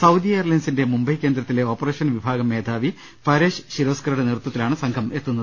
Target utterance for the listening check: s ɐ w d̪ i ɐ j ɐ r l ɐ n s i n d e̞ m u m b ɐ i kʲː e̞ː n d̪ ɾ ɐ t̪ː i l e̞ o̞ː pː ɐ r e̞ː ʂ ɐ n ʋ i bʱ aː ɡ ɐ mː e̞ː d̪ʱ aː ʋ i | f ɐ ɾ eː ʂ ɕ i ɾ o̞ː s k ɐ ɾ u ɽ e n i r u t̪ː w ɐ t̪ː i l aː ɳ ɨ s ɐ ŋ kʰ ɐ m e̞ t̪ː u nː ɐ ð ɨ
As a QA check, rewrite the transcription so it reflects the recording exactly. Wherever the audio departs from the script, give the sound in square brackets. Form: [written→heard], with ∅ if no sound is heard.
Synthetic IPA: s ɐ w d̪ i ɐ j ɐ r l ɐ n s i n d e̞ m u m b ɐ [i→j] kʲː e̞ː n d̪ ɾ ɐ t̪ː i l e̞ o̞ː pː ɐ r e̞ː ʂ ɐ n ʋ i bʱ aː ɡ ɐ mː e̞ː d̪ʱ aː ʋ i | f ɐ ɾ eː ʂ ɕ i ɾ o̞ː s k ɐ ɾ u ɽ e n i r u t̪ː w ɐ t̪ː i l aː ɳ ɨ s ɐ ŋ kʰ ɐ m e̞ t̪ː u nː ɐ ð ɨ

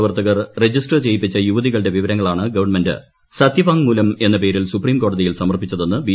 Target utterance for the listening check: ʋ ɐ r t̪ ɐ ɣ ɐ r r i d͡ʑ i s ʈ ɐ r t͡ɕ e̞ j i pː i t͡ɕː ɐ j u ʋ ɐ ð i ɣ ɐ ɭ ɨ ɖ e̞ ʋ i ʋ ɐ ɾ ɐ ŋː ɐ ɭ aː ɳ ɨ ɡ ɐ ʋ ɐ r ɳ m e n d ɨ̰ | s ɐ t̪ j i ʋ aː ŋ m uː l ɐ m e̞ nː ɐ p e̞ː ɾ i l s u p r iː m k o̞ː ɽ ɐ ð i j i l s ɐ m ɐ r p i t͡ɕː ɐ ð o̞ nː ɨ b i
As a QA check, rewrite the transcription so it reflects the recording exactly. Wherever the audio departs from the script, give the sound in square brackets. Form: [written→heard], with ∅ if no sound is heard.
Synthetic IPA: ʋ ɐ r t̪ ɐ ɣ ɐ r r [i→e] d͡ʑ i s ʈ ɐ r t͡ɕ e̞ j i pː i t͡ɕː ɐ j u ʋ ɐ ð i ɣ ɐ ɭ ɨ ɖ e̞ ʋ i ʋ ɐ ɾ ɐ ŋː ɐ ɭ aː ɳ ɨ ɡ ɐ ʋ ɐ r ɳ m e n d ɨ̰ | s ɐ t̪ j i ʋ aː ŋ m uː l ɐ m e̞ nː ɐ p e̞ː ɾ i l s u p r iː m k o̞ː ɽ ɐ ð i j i l s ɐ m ɐ r p i t͡ɕː ɐ ð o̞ nː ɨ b i

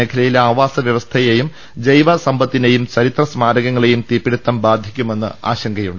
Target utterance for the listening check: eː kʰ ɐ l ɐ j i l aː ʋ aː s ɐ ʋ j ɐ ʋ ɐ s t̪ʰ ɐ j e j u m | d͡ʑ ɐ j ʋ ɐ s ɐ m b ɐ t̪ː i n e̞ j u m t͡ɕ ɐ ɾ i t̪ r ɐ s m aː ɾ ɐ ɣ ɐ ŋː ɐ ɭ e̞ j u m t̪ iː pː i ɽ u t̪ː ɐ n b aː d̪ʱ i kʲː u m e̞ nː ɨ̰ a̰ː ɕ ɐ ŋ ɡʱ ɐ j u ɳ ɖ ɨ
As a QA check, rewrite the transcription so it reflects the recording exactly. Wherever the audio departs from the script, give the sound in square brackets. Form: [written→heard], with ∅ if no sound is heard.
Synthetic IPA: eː kʰ ɐ l ɐ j i l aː ʋ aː s ɐ ʋ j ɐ ʋ ɐ s t̪ʰ ɐ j e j u m | d͡ʑ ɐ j ʋ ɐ s ɐ m b ɐ t̪ː i n e̞ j u m t͡ɕ ɐ ɾ i t̪ r ɐ s m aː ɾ ɐ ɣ ɐ ŋː ɐ ɭ e̞ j u m t̪ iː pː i ɽ u t̪ː ɐ [n→m] b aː d̪ʱ i kʲː u m e̞ nː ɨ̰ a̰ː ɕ ɐ ŋ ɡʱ ɐ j u ɳ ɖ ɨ

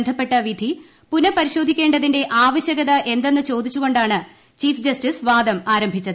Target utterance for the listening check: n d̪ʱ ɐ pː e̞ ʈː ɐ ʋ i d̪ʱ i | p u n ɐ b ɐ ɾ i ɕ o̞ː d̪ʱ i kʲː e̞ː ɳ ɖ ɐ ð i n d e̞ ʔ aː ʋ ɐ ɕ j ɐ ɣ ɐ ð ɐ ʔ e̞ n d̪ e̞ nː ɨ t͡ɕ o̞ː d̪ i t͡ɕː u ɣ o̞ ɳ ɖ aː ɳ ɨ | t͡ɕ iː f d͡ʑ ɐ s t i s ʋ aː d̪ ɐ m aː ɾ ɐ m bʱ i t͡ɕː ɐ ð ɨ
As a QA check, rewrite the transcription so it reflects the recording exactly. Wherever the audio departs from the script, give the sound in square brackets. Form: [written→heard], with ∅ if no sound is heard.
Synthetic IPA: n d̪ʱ ɐ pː e̞ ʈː ɐ ʋ i d̪ʱ i | p u n ɐ [b→p] ɐ ɾ i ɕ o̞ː d̪ʱ i kʲː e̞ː ɳ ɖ ɐ ð i n d e̞ ʔ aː ʋ ɐ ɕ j ɐ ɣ ɐ ð ɐ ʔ e̞ n d̪ e̞ nː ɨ t͡ɕ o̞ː d̪ i t͡ɕː u ɣ o̞ ɳ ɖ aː ɳ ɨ | t͡ɕ iː f d͡ʑ ɐ s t i s ʋ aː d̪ ɐ m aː ɾ ɐ m bʱ i t͡ɕː ɐ ð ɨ

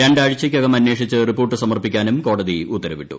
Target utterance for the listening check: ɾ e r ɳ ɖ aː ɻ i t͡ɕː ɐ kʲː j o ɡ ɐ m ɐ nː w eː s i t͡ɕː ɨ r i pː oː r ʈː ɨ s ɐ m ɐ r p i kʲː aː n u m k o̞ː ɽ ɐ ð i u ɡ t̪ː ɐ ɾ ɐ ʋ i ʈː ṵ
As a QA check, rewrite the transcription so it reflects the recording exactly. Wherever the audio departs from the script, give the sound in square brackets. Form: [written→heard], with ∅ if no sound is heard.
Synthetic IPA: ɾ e [r→∅] ɳ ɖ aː ɻ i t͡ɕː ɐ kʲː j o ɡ ɐ m ɐ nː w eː [s→ʂ] i t͡ɕː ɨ r i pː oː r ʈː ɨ s ɐ m ɐ r p i kʲː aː n u m k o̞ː ɽ ɐ ð i u [ɡ→∅] t̪ː ɐ ɾ ɐ ʋ i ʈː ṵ

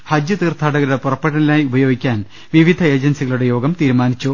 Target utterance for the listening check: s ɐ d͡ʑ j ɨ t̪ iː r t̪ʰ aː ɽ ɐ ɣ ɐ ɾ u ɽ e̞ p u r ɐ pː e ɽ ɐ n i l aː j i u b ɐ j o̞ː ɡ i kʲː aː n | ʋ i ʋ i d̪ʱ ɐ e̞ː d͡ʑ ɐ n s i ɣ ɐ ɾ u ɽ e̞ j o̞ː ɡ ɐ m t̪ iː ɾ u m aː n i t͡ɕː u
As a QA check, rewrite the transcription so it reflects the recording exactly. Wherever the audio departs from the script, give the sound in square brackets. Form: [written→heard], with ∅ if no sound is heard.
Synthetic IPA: [s→h] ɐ d͡ʑ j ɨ t̪ iː r t̪ʰ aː ɽ ɐ ɣ ɐ ɾ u ɽ e̞ p u r ɐ pː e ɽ ɐ n i l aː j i u b ɐ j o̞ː ɡ i kʲː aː n | ʋ i ʋ i d̪ʱ ɐ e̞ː d͡ʑ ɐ n s i ɣ ɐ [ɾ→ɭ] u ɽ e̞ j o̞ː ɡ ɐ m t̪ iː ɾ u m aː n i t͡ɕː u

